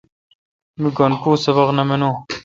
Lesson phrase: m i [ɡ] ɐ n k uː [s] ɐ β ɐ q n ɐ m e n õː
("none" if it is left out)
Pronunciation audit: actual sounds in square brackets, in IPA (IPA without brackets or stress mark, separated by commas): ɡ, s